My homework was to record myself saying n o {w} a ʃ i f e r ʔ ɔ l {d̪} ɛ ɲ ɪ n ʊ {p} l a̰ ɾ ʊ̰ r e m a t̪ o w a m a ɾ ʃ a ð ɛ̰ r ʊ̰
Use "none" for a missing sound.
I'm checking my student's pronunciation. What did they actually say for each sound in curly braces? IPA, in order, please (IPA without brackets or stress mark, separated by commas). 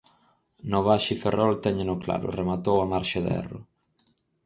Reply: β, t̪, k